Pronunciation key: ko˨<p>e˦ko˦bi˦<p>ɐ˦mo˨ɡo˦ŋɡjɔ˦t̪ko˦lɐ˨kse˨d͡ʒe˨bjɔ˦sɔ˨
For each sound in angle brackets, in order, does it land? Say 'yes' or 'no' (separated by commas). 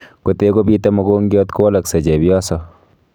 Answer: no, no